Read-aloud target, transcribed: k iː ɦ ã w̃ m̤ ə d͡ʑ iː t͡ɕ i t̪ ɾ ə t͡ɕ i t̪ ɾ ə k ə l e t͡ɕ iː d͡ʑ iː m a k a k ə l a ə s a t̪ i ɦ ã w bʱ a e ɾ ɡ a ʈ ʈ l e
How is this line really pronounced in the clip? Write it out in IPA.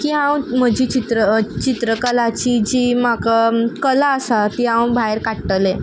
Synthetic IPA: k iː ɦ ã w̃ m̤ ə d͡ʑ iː t͡ɕ i t̪ ɾ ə t͡ɕ i t̪ ɾ ə k ə l a t͡ɕ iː d͡ʑ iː m a k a k ə l a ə s a t̪ i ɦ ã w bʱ a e ɾ k a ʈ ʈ l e